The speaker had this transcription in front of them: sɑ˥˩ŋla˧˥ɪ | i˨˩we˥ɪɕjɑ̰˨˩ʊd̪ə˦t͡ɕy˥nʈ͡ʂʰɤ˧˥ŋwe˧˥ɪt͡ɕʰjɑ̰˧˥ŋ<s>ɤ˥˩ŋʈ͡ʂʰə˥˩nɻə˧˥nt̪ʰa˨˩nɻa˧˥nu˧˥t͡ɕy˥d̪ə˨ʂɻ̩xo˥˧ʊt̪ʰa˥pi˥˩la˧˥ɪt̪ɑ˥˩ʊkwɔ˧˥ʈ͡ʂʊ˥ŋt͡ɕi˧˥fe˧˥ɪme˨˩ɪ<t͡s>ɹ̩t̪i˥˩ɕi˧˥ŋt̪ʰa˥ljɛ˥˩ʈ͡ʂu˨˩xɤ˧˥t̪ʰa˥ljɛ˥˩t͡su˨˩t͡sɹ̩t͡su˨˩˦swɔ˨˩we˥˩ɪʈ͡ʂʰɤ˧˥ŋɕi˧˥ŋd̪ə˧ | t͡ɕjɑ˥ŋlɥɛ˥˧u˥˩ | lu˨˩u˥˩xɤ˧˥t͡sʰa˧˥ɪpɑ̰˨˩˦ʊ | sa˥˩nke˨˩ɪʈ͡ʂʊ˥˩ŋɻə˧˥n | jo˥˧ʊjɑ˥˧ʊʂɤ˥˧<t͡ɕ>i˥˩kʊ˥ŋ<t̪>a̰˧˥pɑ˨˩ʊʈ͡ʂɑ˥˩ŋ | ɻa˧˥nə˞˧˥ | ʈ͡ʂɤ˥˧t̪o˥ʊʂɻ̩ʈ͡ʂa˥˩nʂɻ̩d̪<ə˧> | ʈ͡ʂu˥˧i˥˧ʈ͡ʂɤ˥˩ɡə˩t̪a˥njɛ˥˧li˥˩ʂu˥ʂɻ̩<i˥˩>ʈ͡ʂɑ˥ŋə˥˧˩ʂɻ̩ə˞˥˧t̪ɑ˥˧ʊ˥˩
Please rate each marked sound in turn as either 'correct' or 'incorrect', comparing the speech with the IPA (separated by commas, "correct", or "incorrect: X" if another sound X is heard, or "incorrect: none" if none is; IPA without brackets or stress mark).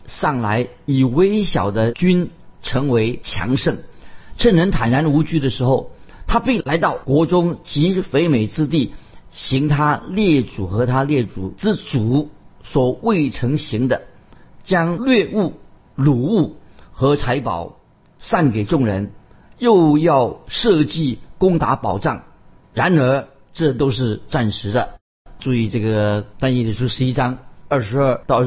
incorrect: ʂ, correct, correct, correct, correct, incorrect: i˥